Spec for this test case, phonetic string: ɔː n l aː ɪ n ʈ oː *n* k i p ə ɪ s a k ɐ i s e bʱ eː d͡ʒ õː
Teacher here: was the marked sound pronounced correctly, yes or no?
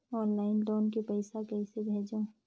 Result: yes